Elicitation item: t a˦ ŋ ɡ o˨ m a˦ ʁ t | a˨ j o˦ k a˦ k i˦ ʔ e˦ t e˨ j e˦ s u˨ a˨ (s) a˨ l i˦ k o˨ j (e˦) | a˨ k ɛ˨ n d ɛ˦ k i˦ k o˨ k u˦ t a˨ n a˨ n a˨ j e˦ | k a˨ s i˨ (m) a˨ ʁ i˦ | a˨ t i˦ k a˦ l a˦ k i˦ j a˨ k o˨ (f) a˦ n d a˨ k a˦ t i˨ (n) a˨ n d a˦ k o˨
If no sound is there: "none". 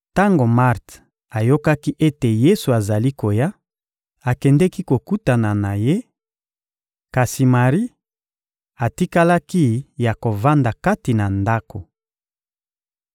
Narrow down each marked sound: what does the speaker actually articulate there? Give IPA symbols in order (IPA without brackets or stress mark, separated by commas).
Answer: z, a˦, m, v, n